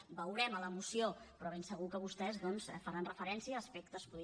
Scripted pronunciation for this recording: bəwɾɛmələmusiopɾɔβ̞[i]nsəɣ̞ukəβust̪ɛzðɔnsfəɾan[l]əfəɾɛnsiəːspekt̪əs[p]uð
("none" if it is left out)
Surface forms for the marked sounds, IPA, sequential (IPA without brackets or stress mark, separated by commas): e, r, p